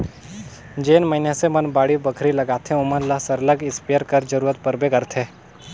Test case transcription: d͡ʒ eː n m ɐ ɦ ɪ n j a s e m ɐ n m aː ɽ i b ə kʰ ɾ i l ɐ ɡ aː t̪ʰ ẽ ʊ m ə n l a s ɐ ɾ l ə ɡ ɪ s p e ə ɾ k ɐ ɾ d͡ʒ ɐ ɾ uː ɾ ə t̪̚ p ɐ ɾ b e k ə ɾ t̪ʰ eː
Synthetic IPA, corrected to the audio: d͡ʒ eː n m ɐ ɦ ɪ n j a s e m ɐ n b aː ɽ i b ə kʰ ɾ i l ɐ ɡ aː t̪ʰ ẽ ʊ m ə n l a s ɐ ɾ l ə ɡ ɪ s p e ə ɾ k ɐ ɾ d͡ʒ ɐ ɾ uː ɾ ə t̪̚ p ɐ ɾ b e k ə ɾ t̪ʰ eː